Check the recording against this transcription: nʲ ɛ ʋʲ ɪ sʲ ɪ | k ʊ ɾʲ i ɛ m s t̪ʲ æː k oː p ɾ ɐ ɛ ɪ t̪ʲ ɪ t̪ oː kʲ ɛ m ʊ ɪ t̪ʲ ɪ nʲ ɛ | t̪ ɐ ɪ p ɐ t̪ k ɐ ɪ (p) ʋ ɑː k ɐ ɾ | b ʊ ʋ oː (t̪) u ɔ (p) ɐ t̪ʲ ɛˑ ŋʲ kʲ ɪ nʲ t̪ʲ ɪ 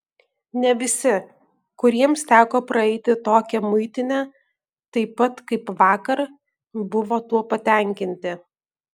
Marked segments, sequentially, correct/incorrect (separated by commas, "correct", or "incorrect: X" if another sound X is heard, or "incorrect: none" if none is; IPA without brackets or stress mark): correct, correct, correct